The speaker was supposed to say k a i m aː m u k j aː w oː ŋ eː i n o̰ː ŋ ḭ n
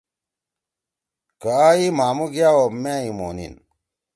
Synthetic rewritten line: k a i m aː m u ɡ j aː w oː m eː i m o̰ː n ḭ n

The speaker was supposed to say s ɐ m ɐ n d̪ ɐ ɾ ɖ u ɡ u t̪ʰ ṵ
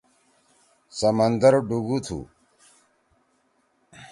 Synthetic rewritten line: s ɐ m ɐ n d̪ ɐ ɾ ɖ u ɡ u t̪ʰ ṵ

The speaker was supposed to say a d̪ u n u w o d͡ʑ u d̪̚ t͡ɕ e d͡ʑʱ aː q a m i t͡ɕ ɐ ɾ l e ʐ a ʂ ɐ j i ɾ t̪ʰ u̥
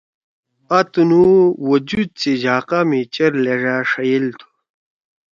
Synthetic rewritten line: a t̪ u n u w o d͡ʑ u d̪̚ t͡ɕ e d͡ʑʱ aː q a m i t͡ɕ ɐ ɾ l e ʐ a ʂ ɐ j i l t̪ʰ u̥

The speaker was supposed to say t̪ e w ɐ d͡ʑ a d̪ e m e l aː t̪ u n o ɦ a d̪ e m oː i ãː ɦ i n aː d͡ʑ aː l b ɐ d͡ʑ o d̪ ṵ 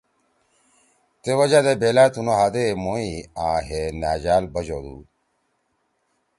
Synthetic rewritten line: t̪ e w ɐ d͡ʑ a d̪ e b e l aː t̪ u n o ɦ a d̪ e m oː i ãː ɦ e n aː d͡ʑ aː l b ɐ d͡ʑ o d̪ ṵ

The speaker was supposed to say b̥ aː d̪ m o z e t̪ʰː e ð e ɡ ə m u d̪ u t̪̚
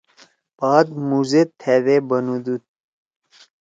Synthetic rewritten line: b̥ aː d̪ m u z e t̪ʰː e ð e b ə n u d̪ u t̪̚

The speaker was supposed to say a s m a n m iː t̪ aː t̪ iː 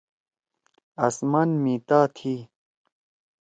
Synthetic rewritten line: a s m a n m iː t̪ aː t̪ʰ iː

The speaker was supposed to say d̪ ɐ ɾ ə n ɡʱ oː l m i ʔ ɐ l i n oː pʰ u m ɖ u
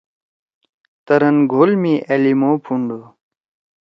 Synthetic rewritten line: t̪ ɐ ɾ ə n ɡʱ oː l m i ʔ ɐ l i m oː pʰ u ɳ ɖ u

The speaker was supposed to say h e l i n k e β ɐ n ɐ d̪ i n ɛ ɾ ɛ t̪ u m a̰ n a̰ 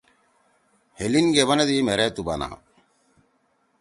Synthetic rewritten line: h e l i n ɡ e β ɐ n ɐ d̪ i m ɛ ɾ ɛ t̪ u b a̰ n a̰

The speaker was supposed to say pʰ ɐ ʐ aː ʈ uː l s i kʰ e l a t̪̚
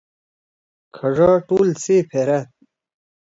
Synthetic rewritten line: kʰ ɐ ʐ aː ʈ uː l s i pʰ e ɾ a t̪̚

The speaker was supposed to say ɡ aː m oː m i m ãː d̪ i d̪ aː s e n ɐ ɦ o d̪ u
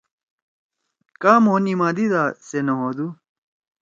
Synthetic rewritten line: k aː m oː n i m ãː d̪ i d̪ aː s e n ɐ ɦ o d̪ u

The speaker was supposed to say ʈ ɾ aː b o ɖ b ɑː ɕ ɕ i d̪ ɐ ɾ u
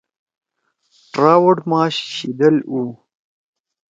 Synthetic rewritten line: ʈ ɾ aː w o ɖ m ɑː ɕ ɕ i d̪ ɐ l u

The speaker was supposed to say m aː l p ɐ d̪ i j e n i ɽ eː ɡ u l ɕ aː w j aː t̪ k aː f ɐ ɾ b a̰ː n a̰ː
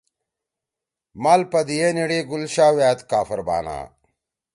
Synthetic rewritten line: m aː l p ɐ d̪ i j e n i ɽ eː ɡ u l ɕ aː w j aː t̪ k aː f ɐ ɾ b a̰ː n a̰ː

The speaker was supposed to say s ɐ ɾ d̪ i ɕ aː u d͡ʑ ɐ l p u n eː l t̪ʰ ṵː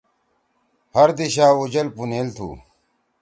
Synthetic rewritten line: h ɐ ɾ d̪ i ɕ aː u d͡ʑ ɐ l p u n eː l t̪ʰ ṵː

